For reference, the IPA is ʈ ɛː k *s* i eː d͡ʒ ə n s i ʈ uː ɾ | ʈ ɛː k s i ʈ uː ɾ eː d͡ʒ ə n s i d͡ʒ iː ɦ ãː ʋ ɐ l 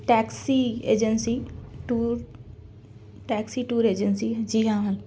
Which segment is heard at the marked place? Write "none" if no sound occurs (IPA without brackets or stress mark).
s